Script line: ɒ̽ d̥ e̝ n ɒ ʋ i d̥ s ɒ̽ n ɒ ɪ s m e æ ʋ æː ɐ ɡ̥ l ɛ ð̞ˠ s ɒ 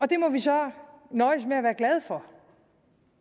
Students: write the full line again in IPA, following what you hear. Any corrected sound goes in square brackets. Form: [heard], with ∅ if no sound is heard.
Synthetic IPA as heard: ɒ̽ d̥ e̝ [m] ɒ ʋ i [∅] s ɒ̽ n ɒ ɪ s m e æ ʋ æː ɐ ɡ̥ l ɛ ð̞ˠ [f] ɒ